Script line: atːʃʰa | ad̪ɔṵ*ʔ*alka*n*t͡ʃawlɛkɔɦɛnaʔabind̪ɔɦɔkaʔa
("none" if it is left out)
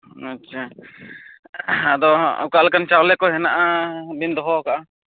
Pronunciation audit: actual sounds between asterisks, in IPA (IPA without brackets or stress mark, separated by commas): k, n